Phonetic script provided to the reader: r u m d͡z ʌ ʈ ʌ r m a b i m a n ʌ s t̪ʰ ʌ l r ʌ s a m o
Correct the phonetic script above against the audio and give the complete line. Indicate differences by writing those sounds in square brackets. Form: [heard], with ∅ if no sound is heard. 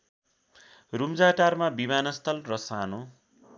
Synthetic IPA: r u m d͡z [a] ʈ [a] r m a b i m a n ʌ s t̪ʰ ʌ l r ʌ s a [n] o